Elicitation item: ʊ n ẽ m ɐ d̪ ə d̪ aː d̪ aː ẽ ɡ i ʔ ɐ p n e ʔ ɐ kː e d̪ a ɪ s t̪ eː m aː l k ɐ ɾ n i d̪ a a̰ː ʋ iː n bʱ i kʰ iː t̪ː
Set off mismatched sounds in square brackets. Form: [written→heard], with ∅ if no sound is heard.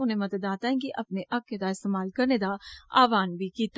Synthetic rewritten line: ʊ n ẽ m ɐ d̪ ə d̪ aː [d̪→t̪] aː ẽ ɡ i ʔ ɐ p n e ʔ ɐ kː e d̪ a ɪ s t̪ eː m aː l k ɐ ɾ n [i→e] d̪ a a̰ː ʋ [iː→aː] n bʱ i [kʰ→k] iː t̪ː